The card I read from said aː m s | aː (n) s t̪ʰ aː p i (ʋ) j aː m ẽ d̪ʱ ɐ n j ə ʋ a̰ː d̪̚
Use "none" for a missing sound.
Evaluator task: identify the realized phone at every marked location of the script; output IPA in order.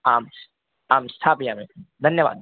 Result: m, none

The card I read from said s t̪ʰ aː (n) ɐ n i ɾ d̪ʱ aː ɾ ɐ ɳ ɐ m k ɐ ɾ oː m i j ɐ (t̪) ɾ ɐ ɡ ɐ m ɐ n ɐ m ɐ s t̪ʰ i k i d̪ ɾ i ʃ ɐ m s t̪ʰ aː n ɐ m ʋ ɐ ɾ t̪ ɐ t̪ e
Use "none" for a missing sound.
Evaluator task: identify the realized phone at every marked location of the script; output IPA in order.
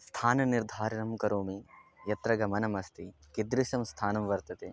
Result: n, t̪

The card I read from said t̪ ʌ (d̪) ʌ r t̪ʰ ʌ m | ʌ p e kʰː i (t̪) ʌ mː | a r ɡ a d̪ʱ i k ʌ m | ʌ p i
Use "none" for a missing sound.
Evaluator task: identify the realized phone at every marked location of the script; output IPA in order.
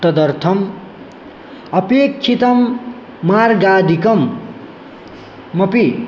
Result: d̪, t̪

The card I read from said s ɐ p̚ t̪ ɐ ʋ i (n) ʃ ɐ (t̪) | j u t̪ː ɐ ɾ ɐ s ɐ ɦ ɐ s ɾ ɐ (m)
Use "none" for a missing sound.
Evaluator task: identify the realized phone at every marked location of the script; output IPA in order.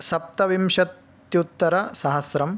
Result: m, t̪, m

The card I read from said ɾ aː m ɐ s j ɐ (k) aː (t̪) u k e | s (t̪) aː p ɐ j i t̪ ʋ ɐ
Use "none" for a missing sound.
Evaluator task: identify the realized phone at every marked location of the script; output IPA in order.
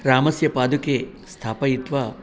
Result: p, d̪, t̪ʰ

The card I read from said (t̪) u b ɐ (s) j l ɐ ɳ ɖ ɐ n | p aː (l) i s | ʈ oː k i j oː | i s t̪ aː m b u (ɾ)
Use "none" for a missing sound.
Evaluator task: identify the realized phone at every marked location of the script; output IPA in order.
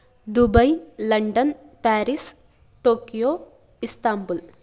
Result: d̪, none, ɾ, l

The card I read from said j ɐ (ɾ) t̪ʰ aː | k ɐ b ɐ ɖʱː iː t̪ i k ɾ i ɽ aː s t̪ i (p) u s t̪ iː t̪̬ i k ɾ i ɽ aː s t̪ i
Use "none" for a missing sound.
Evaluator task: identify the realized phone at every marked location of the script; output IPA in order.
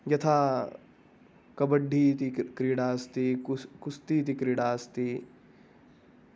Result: none, k

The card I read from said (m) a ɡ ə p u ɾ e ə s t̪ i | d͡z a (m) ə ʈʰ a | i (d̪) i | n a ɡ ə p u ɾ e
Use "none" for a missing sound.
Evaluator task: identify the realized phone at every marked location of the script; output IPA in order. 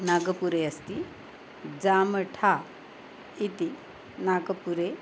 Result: n, m, t̪

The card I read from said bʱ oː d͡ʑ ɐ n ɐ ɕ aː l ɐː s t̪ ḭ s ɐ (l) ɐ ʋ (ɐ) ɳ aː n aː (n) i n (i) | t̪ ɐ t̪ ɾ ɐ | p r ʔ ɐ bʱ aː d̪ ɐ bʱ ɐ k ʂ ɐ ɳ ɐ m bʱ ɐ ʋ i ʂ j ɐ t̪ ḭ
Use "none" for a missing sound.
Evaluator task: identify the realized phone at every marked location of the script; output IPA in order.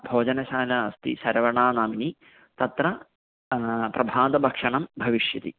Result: ɾ, ɐ, m, i

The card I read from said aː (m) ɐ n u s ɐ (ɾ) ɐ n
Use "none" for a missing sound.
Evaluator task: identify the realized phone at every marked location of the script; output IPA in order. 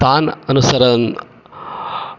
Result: n, ɾ

